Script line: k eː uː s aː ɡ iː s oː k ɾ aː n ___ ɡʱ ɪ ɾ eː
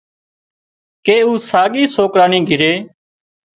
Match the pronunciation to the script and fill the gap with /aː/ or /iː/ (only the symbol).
iː